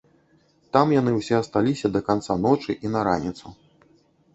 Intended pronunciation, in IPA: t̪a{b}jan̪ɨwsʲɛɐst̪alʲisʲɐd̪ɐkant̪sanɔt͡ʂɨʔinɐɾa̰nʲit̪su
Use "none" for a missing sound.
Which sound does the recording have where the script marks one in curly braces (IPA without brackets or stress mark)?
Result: m